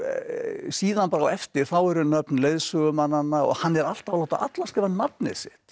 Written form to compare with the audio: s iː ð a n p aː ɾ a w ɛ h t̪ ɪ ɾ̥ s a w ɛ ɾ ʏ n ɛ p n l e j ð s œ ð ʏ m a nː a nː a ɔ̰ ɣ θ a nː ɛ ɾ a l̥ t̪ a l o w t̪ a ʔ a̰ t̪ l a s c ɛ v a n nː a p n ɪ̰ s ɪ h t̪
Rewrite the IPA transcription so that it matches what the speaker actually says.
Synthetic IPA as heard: s iː ð a n p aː ɾ a w ɛ f t̪ ɪ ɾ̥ θ a w ɛ ɾ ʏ n œ p n l e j ð s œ ɣ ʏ m a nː a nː a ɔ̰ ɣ h a nː ɛ ɾ a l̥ t̪ a l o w t̪ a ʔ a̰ t̪ l a s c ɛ v a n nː a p n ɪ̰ s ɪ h t̪

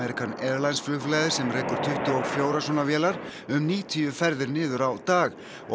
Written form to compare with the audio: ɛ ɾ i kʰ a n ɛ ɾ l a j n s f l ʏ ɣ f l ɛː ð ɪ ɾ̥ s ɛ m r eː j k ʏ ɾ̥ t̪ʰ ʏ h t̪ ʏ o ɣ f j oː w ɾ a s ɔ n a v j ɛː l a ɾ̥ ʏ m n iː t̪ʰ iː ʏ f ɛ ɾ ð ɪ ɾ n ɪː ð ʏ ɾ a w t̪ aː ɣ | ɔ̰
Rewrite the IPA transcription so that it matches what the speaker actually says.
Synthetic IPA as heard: ɛ ɾ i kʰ a n ɛ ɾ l a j n s f l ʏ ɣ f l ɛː ð ɪ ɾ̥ s ɛ m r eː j k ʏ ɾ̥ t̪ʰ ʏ h t̪ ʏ o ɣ f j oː w ɾ a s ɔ n a v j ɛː l a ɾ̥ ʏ m n iː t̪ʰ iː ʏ f ɛ ɾ ð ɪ ɾ n ɪː ð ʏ ɾ a w t̪ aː ɣ | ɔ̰

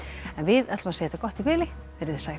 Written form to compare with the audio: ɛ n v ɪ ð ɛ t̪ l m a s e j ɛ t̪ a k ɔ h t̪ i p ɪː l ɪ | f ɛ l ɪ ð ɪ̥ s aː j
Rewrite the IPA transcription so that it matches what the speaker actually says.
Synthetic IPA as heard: ɛ n v ɪ ð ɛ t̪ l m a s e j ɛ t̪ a k ɔ h t̪ i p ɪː l ɪ | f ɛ ɾ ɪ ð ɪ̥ s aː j

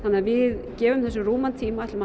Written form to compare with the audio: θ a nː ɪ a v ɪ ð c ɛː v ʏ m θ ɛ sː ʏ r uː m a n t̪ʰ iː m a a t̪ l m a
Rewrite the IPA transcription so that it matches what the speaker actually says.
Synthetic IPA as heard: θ a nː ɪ a v ɪ ð c ɛː v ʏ m θ ɛ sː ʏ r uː m a n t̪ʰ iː m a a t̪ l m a

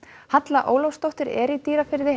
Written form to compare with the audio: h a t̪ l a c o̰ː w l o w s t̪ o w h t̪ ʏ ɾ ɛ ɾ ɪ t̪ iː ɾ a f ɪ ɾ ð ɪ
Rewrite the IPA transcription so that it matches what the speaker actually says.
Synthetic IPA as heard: h a t̪ l a ʔ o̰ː w l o w s t̪ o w h t̪ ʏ ɾ ɛ ɾ i t̪ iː ɾ a f ɪ ɾ ð ɪ

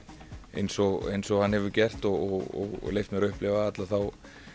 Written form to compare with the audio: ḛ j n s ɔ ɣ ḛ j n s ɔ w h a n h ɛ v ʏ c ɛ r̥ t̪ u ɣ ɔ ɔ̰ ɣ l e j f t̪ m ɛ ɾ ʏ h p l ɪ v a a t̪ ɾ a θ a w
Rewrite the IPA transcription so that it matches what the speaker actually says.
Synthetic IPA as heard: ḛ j n s ɔ ɣ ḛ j n s ɔ ɣ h a n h ɛ v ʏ c ɛ r̥ t̪ ɔ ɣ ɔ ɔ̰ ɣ l e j f t̪ m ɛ ɾ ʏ h p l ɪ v a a t̪ l a θ a w

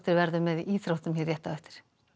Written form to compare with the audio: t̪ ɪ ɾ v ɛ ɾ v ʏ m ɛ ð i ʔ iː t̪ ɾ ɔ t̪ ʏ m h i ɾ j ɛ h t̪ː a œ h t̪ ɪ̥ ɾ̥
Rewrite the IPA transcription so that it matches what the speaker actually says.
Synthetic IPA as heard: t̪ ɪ ɾ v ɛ ɾ ð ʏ m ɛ ð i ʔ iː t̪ ɾ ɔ t̪ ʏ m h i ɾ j ɛ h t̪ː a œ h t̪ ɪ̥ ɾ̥

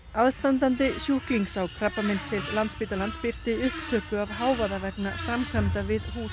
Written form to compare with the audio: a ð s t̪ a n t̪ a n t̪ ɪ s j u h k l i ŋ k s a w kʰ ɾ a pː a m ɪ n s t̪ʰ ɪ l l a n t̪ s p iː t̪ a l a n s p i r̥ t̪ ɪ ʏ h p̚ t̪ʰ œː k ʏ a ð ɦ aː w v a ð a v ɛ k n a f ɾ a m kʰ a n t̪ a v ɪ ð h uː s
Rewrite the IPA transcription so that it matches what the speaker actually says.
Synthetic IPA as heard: a ð s t̪ a n t̪ a n t̪ ɪ s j u h k l i ŋ k s a w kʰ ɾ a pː a m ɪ n s t̪ʰ ɪ l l a n t̪ s p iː t̪ a l a n s p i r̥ t̪ ɪ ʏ h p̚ t̪ʰ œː k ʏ a v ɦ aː w v a ð a v ɛ k n a f ɾ a m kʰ a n t̪ a v ɪ ð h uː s

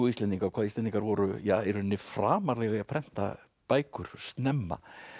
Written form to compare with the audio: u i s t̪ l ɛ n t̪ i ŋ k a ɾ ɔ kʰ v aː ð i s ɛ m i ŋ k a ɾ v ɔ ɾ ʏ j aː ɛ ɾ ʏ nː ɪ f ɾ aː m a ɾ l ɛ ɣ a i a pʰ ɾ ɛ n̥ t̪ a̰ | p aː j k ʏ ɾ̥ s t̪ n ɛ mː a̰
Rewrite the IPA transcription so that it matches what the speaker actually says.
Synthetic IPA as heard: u i s t̪ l ɛ n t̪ i ŋ k a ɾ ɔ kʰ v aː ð i s ɛ n i ŋ k a ɾ v ɔ ɾ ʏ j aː ɛ ɾ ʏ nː ɪ f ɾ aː m a ɾ l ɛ ɣ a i a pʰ ɾ ɛ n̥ t̪ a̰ | p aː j k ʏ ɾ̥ s t̪ n ɛ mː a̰

